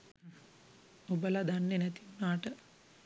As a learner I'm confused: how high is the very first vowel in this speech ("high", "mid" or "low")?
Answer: mid